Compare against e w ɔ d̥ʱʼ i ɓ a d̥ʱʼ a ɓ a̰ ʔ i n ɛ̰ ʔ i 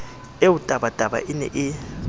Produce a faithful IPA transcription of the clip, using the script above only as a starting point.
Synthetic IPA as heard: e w u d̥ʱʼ a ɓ a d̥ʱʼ a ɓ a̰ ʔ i n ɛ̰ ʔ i